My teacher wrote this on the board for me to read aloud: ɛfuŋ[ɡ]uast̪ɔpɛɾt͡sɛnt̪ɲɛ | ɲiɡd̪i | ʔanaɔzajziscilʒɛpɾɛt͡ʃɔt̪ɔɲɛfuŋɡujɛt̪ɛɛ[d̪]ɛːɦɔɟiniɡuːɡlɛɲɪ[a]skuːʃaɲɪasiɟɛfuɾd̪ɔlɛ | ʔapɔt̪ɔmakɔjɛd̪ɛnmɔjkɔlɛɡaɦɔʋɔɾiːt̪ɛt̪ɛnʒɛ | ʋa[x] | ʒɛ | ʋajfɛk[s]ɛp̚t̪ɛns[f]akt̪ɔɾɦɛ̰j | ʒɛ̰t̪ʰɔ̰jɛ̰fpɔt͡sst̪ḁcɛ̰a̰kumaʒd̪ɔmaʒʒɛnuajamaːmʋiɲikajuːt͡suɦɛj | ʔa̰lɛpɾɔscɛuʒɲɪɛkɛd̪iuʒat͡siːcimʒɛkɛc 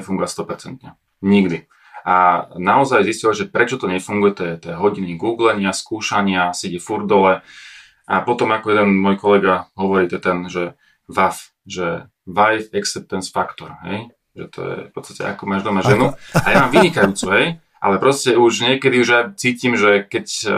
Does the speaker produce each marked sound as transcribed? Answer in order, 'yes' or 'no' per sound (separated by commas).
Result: yes, no, yes, no, yes, yes